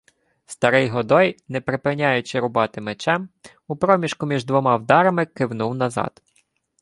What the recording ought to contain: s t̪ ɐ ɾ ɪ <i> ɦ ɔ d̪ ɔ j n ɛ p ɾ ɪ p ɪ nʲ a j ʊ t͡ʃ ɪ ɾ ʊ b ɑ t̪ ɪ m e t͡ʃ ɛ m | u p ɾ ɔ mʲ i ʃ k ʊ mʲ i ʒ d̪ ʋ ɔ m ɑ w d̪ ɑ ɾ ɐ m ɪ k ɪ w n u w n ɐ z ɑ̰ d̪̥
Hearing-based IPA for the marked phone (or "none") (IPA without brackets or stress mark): j